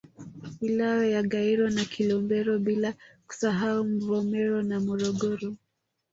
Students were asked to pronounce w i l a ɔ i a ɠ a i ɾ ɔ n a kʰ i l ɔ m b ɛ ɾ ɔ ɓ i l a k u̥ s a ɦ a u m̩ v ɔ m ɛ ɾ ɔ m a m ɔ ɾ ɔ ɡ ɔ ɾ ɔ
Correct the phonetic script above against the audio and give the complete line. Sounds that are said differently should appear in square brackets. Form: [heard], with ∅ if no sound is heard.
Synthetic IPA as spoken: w i l a ɔ [j] a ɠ a i ɾ ɔ n a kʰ i l ɔ m b ɛ ɾ ɔ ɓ i l a k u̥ s a ɦ a u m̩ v ɔ m ɛ ɾ ɔ [n] a m ɔ ɾ ɔ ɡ ɔ ɾ ɔ